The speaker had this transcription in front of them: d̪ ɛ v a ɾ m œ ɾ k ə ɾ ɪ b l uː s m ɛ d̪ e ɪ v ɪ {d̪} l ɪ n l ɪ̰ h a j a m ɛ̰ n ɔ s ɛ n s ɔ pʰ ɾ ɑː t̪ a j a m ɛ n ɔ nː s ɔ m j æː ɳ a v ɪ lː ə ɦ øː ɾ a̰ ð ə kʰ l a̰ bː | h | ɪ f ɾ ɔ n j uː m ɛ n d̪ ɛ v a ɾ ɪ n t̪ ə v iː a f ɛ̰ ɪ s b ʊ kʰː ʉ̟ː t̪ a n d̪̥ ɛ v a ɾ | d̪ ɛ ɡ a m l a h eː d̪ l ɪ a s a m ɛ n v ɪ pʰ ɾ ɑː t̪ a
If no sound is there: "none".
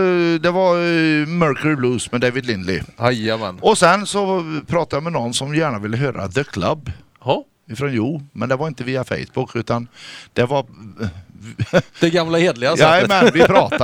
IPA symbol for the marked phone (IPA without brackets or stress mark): d̪